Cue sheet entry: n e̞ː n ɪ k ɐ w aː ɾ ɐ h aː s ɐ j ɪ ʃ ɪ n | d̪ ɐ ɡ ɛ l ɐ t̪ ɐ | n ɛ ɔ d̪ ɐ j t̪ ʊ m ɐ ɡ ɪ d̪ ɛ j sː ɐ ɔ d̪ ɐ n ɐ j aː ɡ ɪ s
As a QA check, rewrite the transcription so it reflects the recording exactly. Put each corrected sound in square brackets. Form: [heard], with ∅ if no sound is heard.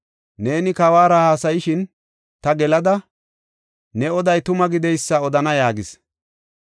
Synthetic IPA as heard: n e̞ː n ɪ k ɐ w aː ɾ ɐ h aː s ɐ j ɪ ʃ ɪ n | [t̪] ɐ ɡ ɛ l ɐ [d̪] ɐ | n ɛ ɔ d̪ ɐ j t̪ ʊ m ɐ ɡ ɪ d̪ ɛ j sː ɐ ɔ d̪ ɐ n ɐ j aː ɡ ɪ s